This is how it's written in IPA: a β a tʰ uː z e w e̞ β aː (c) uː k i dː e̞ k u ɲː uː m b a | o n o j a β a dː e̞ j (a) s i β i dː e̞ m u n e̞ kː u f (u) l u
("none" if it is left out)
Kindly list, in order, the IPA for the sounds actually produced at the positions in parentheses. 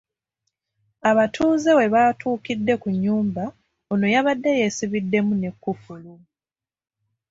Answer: t, e, u

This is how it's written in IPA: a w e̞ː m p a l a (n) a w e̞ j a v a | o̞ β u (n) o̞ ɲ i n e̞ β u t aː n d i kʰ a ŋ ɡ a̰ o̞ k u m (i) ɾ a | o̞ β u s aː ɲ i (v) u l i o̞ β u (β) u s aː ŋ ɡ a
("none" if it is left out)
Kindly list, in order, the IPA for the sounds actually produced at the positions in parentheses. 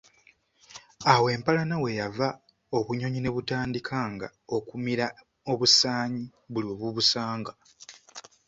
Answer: n, ɲ, i, β, β

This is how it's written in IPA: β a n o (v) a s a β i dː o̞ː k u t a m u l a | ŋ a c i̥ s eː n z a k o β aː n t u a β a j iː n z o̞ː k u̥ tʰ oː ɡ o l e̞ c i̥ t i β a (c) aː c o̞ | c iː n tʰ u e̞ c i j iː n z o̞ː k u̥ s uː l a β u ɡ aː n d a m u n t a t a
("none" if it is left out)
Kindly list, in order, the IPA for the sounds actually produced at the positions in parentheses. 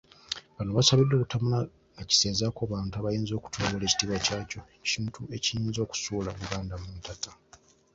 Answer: β, c

